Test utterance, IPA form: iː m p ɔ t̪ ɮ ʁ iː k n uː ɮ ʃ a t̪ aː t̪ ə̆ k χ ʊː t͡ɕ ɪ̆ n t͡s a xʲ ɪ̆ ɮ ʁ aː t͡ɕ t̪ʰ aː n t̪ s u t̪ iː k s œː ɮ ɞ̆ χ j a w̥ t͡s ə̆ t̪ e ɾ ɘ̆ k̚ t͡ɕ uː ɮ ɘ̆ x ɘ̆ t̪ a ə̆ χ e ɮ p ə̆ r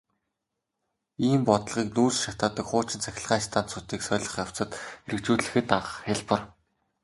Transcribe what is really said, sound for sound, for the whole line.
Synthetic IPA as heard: iː m p ɔ t̪ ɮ ʁ iː k n uː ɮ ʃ a t̪ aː t̪ ə̆ k χ ʊː t͡ɕ ɪ̆ n t͡s æ xʲ ɪ̆ ɮ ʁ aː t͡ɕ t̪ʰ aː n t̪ s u t̪ iː k s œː ɮ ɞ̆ χ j a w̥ t͡s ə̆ t̪ e ɾ ɘ̆ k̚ t͡ɕ uː ɮ ɘ̆ x ɘ̆ t̪ a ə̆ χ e ɮ p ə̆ r